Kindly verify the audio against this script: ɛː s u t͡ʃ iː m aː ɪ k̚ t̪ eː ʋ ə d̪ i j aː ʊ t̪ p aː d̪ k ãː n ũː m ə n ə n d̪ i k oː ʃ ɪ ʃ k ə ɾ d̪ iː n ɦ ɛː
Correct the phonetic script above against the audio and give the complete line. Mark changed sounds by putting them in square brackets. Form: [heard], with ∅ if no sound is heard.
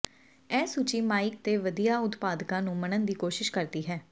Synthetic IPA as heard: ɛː s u t͡ʃ iː m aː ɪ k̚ t̪ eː ʋ ə d̪ i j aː ʊ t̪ p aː d̪ k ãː n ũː m ə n ə n d̪ [iː] k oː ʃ ɪ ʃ k ə ɾ d̪ iː [∅] ɦ ɛː